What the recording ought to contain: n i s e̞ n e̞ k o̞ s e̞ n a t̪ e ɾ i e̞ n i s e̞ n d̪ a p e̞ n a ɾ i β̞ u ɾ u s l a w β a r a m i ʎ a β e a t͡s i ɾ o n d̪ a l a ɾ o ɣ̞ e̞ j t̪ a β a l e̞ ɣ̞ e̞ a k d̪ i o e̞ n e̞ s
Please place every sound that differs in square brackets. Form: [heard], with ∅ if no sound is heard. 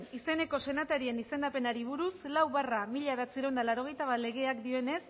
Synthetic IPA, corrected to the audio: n i s e̞ n e̞ k o̞ s e̞ n a t̪ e ɾ i e̞ n i s e̞ n d̪ a p e̞ n a ɾ i β̞ u ɾ u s l a w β a r a m i ʎ a β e a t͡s i ɾ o n d̪ a l a ɾ o ɣ̞ e̞ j t̪ a β a l e̞ ɣ̞ e̞ a k d̪ i o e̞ n e̞ s